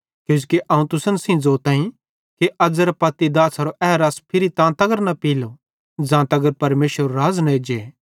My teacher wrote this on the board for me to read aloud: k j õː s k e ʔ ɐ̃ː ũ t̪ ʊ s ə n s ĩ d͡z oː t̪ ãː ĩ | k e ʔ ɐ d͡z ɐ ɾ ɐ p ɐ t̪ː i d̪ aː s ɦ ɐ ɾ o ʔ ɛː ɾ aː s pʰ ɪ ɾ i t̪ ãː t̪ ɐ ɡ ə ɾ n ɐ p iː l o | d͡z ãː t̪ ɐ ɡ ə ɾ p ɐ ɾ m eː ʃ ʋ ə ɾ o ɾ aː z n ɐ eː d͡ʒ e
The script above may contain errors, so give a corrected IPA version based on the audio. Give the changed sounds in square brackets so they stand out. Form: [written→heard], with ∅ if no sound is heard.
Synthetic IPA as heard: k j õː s k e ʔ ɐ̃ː ũ t̪ ʊ s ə n s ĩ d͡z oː t̪ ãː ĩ | k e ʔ ɐ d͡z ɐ ɾ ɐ p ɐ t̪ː i d̪ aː s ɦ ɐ ɾ o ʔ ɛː ɾ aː s pʰ ɪ ɾ i t̪ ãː t̪ ɐ ɡ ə ɾ n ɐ p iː l o | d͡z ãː t̪ ɐ ɡ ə ɾ p ɐ ɾ m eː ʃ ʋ ə ɾ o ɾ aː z n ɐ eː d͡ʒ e